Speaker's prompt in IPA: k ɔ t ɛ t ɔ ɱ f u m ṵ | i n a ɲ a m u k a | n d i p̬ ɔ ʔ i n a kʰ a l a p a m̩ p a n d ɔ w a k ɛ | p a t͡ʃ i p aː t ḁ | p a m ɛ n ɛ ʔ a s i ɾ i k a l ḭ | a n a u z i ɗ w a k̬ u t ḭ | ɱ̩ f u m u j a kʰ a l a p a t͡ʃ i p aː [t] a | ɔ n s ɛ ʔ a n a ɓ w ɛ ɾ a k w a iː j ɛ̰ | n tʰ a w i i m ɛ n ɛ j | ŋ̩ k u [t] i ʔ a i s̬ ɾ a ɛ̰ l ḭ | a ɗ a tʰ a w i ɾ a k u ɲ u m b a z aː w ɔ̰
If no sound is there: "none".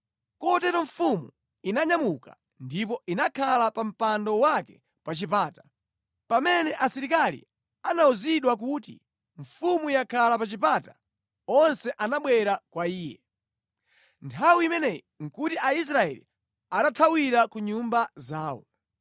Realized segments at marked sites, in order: t, t

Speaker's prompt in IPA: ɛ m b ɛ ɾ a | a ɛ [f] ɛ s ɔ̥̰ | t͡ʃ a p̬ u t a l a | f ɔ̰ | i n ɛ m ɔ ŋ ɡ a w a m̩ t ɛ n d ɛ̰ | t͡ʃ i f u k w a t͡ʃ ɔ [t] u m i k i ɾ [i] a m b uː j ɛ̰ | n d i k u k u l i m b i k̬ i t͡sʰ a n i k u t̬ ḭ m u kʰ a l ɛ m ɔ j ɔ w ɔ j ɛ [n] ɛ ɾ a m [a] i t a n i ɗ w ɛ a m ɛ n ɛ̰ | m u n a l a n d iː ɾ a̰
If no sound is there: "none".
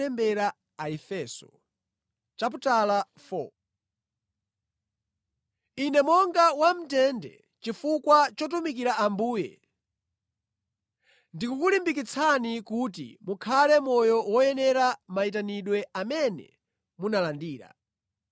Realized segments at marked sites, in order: f, t, a, n, a

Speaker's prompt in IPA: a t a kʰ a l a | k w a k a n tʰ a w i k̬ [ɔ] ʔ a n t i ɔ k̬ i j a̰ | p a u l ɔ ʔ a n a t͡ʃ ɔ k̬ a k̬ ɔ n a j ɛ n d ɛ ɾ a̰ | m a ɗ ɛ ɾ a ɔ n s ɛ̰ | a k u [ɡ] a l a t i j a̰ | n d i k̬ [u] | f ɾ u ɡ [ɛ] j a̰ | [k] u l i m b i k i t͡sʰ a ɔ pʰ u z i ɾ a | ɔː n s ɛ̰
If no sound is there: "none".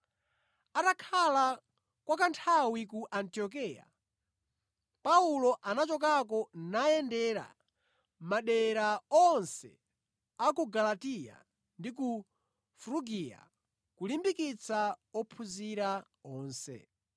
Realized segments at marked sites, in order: u, ɡ, u, i, k

